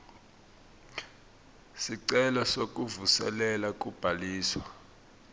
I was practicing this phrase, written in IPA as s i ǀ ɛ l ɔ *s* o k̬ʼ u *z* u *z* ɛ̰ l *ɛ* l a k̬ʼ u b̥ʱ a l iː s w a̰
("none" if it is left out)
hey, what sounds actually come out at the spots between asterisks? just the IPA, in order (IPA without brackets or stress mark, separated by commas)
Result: s, v, s, ɛ